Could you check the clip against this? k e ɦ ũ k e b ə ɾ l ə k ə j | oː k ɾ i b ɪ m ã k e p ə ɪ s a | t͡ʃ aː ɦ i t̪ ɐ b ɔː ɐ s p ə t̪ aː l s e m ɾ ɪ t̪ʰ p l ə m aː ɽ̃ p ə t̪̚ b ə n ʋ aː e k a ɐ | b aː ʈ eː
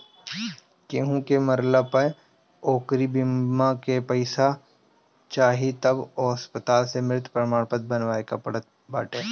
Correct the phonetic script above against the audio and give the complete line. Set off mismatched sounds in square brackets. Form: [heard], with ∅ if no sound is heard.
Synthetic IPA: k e ɦ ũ k e [m] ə ɾ l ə [p] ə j | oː k ɾ i b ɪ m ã k e p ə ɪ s a | t͡ʃ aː ɦ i t̪ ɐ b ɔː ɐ s p ə t̪ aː l s e m ɾ ɪ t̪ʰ p [ɾ] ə m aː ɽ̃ p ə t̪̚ b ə n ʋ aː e k a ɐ | b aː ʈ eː